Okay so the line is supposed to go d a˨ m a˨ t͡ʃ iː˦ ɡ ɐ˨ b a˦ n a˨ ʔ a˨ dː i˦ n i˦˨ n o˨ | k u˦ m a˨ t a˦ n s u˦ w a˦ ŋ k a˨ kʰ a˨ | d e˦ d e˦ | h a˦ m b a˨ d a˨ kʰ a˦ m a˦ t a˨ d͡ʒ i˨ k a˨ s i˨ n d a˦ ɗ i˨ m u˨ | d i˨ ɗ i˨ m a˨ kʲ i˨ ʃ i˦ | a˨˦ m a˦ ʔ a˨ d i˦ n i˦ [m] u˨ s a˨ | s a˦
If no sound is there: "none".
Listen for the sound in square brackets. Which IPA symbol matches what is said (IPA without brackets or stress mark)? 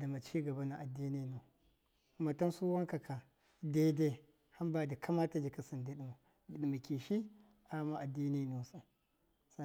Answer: n